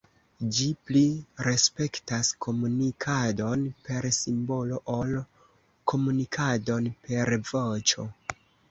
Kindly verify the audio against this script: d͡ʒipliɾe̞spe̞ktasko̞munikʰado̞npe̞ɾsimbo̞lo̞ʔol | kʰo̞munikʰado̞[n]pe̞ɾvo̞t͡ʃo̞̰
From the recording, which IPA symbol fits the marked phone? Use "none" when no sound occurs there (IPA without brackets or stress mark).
n